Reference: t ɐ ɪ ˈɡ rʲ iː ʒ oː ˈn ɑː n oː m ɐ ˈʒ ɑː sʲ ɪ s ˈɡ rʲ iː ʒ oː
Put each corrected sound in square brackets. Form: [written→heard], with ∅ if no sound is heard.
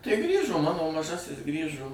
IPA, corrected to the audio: t ɐ ɪ ˈɡ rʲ iː ʒ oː [ˈn→ˈm] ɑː n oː m ɐ ˈʒ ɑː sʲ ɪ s ˈɡ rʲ iː ʒ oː